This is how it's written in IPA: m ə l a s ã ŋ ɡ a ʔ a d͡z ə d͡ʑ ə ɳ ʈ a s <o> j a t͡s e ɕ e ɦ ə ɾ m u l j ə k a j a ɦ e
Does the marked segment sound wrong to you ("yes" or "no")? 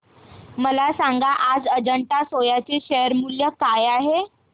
no